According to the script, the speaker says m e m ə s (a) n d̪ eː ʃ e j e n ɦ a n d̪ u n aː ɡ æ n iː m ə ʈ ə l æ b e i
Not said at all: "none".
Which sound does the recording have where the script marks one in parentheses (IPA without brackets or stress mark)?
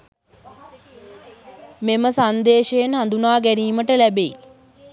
a